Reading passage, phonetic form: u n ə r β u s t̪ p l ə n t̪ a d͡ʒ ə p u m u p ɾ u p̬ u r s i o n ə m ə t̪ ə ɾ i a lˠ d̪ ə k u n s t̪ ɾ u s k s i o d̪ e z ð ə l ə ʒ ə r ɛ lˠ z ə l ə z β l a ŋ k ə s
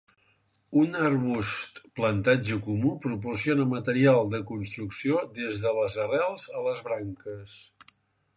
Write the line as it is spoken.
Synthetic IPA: u n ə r β u s t̪ p l ə n t̪ a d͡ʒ ə k u m u p ɾ u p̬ u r s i o n ə m ə t̪ ə ɾ i a lˠ d̪ ə k u n s t̪ ɾ u k s i o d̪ e z ð ə l ə z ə r ɛ lˠ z ə l ə z β ɾ a ŋ k ə s

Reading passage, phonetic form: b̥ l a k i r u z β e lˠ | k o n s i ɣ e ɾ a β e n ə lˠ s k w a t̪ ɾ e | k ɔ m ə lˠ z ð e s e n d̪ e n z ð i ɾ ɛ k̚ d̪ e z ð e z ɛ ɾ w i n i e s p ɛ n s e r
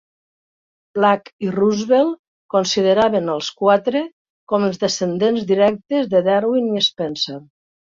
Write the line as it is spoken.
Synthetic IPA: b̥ l a k i r u z β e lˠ | k o n s i ð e ɾ a β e n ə lˠ s k w a t̪ ɾ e | k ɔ m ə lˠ z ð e s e n d̪ e n z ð i ɾ ɛ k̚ t̪ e z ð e ð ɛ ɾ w i n i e s p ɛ n s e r

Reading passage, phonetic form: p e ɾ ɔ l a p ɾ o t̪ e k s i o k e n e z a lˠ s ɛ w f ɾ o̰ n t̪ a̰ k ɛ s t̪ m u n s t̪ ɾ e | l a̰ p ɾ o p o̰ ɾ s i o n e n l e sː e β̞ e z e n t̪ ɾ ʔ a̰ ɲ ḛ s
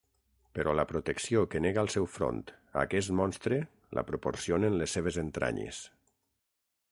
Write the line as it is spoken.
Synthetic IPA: p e ɾ ɔ l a p ɾ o t̪ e k s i o k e n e ɣ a lˠ s ɛ w f ɾ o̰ n t̪ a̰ k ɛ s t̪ m ɔ n s t̪ ɾ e | l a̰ p ɾ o p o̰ ɾ s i o n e n l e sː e β̞ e z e n t̪ ɾ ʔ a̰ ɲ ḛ s

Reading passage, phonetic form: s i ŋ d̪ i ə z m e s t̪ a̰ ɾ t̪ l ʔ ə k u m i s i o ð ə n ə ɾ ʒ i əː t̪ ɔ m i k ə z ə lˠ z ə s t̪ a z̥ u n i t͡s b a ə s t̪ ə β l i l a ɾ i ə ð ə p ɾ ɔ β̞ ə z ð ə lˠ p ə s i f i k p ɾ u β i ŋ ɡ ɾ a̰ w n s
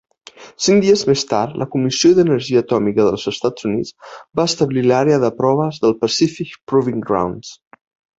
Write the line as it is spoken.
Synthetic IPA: s i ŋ d̪ i ə z m e s t̪ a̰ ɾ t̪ l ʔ ə k u m i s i o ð ə n ə ɾ ʒ i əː t̪ ɔ m i k ə ð ə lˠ z ə s t̪ a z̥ u n i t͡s b a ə s t̪ ə β l i l a ɾ e ə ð ə p ɾ ɔ β̞ ə z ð ə lˠ p ə s i f i k p ɾ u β i ŋ ɡ ɾ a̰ w n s

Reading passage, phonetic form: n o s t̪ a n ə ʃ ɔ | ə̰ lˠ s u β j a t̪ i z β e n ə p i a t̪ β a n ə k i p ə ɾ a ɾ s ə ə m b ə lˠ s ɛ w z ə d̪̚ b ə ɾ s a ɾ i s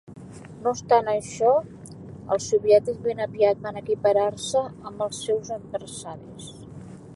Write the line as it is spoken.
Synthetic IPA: n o s t̪ a n ə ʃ ɔ | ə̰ lˠ s u β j ɛ t̪ i z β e n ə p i a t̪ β a n ə k i p ə ɾ a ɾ s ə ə m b ə lˠ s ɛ w z ə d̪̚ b ə ɾ s a ɾ i s

